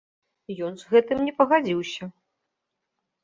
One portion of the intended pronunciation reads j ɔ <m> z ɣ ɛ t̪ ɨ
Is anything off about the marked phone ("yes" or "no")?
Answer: yes